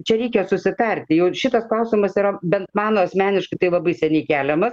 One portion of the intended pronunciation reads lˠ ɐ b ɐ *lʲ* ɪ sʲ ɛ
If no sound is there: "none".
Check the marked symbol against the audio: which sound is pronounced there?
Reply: none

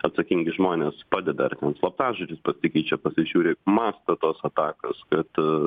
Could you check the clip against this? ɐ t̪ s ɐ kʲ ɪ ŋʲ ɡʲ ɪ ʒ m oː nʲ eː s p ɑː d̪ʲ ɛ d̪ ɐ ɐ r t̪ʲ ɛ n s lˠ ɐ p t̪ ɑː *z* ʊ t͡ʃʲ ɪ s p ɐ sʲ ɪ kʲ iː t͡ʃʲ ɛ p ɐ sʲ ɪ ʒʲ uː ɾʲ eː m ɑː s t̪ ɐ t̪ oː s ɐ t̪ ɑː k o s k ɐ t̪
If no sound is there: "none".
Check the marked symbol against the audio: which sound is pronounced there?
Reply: ʒ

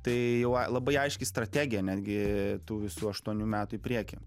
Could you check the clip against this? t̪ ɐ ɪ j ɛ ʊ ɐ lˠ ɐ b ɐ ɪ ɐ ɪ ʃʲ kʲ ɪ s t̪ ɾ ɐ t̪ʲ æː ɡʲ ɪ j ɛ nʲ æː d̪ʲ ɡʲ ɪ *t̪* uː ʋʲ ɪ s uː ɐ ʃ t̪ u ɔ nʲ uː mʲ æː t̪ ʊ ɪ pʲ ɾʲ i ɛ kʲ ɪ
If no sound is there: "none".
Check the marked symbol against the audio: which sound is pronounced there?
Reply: t̪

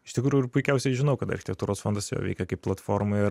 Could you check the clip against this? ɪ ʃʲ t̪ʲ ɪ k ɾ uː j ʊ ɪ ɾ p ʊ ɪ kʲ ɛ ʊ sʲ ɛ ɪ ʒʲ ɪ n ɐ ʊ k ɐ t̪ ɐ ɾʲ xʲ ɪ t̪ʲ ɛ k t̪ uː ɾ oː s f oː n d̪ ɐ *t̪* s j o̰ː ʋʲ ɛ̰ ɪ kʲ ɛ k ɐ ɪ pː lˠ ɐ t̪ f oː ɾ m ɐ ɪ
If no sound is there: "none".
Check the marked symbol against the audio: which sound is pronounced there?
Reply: none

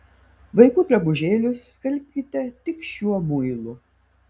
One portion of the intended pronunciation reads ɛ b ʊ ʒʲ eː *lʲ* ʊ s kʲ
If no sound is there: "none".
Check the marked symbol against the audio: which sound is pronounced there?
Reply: lʲ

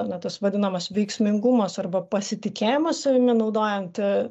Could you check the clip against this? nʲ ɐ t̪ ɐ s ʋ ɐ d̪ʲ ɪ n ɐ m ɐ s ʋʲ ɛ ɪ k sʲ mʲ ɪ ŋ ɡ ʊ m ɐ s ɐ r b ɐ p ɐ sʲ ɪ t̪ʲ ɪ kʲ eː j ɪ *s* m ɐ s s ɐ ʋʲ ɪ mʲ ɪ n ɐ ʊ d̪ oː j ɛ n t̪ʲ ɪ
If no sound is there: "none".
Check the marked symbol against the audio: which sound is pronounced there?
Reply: none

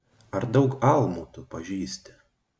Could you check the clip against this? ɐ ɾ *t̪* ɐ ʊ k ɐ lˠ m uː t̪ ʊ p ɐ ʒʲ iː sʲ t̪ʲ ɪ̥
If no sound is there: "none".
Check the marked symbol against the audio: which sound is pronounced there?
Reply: d̪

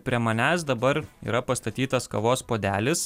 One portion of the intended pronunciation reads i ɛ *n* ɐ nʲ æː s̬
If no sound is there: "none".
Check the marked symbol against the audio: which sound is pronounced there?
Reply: m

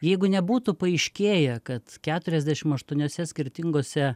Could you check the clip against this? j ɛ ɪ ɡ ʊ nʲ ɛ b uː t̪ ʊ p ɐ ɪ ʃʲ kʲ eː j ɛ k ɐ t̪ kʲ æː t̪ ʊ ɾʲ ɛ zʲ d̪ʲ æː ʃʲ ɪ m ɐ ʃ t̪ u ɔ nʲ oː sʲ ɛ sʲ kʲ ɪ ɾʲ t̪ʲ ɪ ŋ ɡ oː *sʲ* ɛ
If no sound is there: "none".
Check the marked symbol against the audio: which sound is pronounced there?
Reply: sʲ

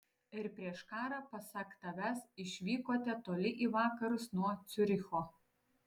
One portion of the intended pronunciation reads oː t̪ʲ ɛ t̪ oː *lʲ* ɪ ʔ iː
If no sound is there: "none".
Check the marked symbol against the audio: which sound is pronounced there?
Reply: lʲ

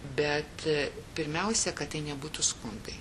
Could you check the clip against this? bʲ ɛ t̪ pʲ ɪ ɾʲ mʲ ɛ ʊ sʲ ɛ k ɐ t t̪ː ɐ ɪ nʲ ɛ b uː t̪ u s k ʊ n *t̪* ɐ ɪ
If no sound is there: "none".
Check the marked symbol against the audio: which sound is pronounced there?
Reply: d̪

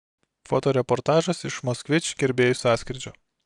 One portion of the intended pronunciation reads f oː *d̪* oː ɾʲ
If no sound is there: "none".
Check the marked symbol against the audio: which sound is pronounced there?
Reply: t̪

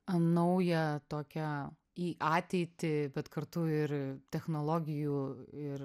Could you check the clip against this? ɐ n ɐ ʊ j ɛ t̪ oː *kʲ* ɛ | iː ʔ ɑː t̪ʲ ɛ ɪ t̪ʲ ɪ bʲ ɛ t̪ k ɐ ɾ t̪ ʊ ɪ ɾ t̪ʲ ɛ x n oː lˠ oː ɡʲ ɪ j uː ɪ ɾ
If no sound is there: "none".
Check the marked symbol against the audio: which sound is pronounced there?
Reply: kʲ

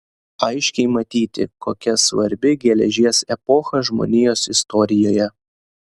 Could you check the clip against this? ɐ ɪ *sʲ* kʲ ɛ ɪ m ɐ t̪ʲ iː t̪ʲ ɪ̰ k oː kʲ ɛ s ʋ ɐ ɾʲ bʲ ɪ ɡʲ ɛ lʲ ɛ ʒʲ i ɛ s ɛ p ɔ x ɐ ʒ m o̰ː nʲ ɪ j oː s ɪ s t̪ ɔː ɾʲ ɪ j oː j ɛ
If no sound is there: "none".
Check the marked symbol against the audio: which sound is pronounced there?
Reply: ʃʲ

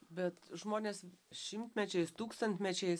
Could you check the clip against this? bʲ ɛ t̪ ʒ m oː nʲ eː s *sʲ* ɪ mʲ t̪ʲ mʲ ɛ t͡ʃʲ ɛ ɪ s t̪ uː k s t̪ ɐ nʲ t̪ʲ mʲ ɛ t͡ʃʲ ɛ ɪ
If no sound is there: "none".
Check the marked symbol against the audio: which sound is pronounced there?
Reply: ʃʲ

